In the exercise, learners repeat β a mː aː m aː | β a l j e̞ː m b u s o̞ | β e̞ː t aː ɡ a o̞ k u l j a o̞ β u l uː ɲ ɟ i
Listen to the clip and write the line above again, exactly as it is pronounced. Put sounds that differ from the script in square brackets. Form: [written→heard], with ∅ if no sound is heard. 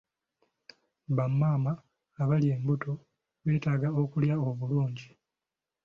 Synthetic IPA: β a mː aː m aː | β a l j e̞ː m b u [s→t] o̞ | β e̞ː t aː ɡ a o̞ k u l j a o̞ β u l uː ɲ ɟ i